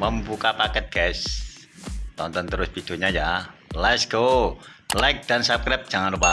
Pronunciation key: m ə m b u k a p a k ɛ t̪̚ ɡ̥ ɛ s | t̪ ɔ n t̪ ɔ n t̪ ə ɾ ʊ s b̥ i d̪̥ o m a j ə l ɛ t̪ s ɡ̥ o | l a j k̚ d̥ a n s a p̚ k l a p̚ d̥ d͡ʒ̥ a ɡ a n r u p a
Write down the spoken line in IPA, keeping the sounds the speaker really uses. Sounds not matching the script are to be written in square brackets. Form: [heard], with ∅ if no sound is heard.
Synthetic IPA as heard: m ə m b u k a p a k ɛ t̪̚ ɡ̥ ɛ s | t̪ ɔ n t̪ ɔ n t̪ ə ɾ ʊ s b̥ i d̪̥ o [ɲ] a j [a] l ɛ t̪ s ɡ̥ o | l a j k̚ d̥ a n s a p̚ k [ɾ] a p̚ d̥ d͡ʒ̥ a [ŋ] a n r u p a